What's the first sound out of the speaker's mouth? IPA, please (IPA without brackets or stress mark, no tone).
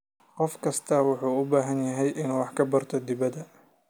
q